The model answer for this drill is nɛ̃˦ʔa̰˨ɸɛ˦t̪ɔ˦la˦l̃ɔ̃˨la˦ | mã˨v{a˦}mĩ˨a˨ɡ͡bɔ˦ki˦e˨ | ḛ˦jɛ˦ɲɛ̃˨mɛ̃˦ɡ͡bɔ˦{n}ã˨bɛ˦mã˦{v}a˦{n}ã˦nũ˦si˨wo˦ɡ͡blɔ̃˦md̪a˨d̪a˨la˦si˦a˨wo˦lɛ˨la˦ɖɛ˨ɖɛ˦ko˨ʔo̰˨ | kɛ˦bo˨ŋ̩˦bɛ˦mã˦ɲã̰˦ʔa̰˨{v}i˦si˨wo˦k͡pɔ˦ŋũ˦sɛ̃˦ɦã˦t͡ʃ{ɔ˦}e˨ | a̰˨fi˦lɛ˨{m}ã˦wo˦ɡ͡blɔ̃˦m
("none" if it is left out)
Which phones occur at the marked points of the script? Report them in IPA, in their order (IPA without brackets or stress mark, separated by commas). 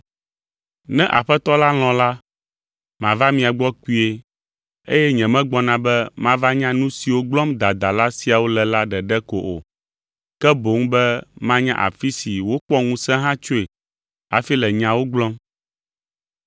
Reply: a˦, n, v, ɲ, f, o˦, ɲ